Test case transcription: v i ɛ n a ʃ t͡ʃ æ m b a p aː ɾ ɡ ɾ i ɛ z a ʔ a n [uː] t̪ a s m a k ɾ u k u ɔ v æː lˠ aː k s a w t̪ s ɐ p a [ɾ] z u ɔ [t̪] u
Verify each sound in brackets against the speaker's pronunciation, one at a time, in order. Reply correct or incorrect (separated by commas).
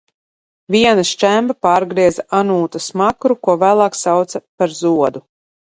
correct, correct, incorrect